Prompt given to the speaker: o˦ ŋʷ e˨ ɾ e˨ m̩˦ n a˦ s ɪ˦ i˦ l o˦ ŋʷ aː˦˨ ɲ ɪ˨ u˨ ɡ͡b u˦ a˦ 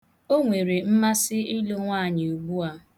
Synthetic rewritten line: o˦ ŋʷ e˨ ɾ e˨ m̩˦ m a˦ s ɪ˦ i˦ l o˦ ŋʷ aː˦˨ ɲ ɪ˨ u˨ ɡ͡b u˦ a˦